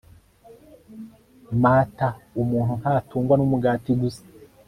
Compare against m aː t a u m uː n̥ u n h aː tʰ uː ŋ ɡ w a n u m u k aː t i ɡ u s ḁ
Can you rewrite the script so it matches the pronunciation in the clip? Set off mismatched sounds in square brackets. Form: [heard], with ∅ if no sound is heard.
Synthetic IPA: m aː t a u m uː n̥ u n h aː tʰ uː ŋ ɡ w a n u m u [ɡ] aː t i ɡ u s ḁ